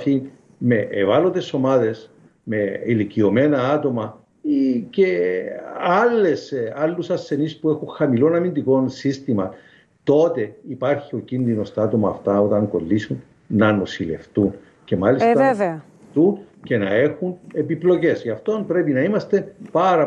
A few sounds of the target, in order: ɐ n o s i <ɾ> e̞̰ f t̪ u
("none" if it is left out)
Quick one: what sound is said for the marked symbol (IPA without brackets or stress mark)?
l